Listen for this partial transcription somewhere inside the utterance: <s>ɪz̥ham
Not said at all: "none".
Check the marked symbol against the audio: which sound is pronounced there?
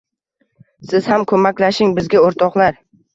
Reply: s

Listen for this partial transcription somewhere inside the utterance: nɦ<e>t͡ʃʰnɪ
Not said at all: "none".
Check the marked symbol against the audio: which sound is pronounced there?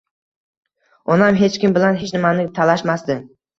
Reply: e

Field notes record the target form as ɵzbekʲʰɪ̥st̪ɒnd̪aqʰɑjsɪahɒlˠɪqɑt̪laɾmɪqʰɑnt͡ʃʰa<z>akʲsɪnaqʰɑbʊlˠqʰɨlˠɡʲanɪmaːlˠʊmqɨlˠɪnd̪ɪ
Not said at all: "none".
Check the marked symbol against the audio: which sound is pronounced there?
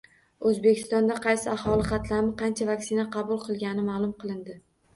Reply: v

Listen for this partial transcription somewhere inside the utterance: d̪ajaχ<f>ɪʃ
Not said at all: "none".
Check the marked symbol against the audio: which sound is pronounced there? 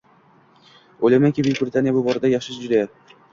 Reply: ʃ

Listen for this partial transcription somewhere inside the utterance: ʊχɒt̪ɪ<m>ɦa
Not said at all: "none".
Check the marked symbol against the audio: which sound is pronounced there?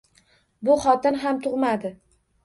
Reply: n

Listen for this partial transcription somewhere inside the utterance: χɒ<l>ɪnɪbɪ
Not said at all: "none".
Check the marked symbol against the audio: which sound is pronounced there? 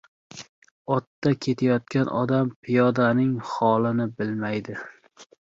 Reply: l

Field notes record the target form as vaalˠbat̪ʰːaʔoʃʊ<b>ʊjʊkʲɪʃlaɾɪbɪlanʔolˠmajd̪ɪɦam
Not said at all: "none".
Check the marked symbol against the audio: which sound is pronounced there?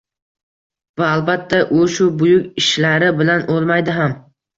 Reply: b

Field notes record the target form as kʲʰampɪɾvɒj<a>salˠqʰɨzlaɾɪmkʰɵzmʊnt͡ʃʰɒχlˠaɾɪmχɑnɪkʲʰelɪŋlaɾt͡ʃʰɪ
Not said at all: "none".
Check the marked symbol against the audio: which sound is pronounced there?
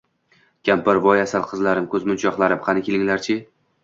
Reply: a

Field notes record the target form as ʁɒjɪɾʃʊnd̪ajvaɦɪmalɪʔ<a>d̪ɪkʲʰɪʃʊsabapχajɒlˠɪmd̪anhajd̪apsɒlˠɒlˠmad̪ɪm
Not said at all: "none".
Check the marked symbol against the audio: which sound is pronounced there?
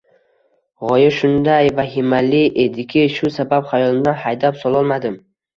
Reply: e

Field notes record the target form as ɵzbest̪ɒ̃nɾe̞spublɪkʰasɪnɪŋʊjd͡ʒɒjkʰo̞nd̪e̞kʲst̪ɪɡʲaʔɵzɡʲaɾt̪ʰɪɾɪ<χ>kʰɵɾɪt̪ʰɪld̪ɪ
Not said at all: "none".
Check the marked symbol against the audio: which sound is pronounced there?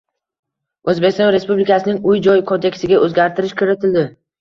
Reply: ʃ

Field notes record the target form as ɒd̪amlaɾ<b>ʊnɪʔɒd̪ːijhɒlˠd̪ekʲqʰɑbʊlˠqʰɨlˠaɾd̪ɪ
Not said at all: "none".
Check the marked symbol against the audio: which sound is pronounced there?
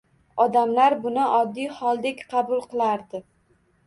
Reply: b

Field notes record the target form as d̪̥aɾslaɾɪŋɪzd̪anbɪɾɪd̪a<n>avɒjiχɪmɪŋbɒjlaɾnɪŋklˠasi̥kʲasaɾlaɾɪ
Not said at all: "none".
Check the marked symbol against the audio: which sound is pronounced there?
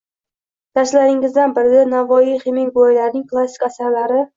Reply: n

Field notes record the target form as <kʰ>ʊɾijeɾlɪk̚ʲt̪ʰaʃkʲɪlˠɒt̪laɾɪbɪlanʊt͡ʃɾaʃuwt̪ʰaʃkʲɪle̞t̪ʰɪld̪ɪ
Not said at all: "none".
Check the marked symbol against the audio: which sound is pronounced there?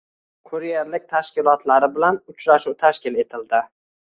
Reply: kʰ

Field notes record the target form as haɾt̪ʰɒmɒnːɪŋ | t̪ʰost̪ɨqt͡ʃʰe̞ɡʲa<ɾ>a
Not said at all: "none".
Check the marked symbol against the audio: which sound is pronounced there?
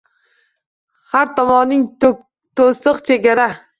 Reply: ɾ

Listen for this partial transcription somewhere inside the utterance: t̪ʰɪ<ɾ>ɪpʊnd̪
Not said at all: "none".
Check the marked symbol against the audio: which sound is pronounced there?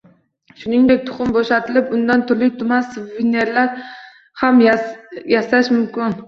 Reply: l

